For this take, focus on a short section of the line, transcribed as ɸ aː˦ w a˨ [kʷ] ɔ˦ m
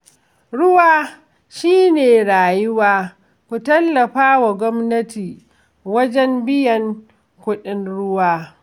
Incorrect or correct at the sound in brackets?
incorrect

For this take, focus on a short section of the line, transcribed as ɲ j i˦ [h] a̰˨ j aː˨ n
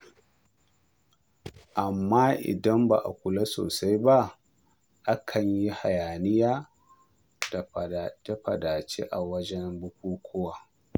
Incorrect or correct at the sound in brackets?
correct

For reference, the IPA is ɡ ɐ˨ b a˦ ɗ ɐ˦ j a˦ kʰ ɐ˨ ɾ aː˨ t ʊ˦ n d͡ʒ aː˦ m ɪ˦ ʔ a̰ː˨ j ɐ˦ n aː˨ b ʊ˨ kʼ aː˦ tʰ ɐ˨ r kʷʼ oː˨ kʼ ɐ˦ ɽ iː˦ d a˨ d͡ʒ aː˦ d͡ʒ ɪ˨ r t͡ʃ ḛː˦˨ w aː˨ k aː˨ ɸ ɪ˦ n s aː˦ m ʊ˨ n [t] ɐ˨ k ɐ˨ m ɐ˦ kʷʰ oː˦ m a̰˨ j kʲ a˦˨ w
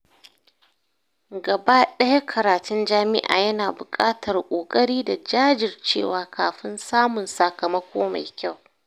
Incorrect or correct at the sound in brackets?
incorrect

